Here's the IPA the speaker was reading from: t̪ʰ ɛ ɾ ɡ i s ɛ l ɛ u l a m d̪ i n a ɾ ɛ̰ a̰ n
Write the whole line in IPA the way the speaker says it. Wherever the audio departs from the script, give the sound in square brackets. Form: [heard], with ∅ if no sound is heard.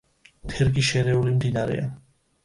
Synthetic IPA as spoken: t̪ʰ ɛ ɾ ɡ i [ʃ] ɛ [ɾ] ɛ u l [i] m d̪ i n a ɾ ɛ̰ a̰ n